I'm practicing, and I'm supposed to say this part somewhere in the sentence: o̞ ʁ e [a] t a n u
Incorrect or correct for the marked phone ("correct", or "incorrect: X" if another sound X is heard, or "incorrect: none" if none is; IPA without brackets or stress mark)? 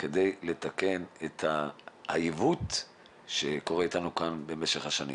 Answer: incorrect: i